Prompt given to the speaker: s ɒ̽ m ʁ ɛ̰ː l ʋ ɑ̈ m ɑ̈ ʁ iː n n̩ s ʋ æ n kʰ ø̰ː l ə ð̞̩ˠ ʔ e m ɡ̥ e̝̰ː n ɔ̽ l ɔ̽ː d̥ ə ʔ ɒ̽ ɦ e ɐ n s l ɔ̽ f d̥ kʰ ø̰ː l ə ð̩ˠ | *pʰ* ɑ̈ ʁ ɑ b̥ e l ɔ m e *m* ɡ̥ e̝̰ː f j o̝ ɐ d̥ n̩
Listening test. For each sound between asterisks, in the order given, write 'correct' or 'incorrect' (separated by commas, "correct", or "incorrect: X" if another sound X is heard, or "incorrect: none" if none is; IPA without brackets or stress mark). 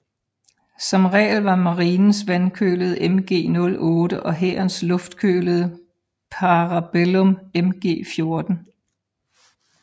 correct, correct